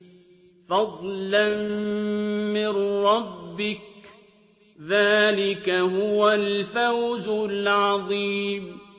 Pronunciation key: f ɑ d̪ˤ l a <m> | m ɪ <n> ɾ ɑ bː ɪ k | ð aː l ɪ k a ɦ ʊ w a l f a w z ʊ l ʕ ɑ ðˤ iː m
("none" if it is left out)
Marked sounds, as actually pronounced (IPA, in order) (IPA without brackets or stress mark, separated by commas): n, n